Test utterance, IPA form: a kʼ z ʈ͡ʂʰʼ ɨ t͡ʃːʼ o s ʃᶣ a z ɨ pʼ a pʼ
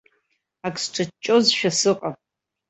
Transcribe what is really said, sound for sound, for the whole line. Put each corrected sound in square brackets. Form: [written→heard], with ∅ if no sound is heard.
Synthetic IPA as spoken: a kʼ [z→s] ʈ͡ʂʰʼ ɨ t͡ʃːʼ o [s→z] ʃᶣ a [z→s] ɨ [pʼ→qʼ] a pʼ